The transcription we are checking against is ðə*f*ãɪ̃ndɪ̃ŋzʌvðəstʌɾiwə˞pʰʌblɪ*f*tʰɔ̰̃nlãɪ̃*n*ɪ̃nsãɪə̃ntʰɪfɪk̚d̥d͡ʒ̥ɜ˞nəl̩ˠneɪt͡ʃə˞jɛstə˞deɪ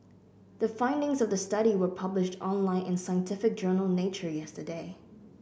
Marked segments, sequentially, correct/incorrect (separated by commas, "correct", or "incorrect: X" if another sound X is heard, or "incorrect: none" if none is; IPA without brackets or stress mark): correct, incorrect: ʃ, correct